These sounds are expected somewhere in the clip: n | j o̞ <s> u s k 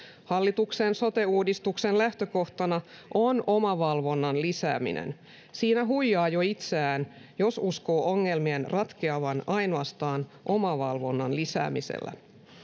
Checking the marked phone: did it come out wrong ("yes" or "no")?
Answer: no